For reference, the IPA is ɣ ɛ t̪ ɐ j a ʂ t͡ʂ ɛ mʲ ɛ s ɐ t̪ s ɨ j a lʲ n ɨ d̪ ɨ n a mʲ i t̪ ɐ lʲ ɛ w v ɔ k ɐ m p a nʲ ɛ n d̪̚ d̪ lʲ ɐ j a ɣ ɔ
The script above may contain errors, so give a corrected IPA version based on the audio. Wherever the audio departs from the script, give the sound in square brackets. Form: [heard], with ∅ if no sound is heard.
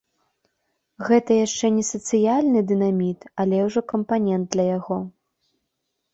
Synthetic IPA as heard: ɣ ɛ t̪ ɐ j a ʂ t͡ʂ ɛ [nʲ] ɛ s ɐ t̪ s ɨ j a lʲ n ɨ d̪ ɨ n a mʲ i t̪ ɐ lʲ ɛ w [ʐ] ɔ k ɐ m p a nʲ ɛ n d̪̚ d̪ lʲ ɐ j a ɣ ɔ